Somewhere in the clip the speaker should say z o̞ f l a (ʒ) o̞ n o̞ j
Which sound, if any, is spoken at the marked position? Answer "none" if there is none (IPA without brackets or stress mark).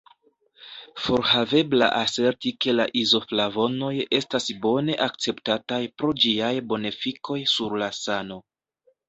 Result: v